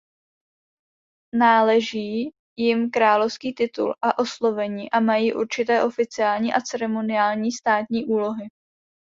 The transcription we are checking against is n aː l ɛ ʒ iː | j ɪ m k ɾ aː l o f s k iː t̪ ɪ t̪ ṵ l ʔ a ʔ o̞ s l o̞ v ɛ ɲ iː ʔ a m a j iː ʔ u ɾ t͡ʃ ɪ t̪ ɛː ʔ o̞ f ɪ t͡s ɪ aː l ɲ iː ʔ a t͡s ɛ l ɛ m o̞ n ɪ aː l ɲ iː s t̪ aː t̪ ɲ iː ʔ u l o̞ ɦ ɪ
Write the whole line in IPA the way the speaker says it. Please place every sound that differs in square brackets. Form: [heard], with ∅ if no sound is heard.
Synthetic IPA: n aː l ɛ ʒ iː | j ɪ m k ɾ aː l o f s k iː t̪ ɪ t̪ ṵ l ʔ a ʔ o̞ s l o̞ v ɛ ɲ iː ʔ a m a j iː ʔ u ɾ t͡ʃ ɪ t̪ ɛː ʔ o̞ f ɪ t͡s ɪ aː l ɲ iː ʔ a t͡s ɛ [ɾ] ɛ m o̞ n ɪ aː l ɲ iː s t̪ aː t̪ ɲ iː ʔ [uː] l o̞ ɦ ɪ